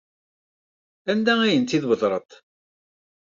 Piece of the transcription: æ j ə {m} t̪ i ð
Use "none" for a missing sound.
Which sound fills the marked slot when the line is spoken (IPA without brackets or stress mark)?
n